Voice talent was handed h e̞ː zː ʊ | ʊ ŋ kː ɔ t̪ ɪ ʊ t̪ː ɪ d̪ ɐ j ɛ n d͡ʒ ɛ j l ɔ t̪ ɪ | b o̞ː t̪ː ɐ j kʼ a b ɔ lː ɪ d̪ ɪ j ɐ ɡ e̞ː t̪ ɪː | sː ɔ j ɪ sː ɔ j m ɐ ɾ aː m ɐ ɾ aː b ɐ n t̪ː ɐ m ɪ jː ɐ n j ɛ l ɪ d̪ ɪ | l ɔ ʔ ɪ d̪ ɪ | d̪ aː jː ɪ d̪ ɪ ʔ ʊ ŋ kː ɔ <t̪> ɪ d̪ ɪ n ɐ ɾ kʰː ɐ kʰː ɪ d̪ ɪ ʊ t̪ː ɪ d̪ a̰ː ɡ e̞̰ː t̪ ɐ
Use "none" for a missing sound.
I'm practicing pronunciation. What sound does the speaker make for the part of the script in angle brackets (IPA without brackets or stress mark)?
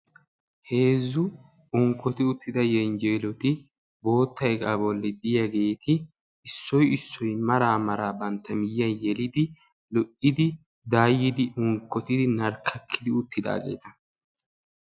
t̪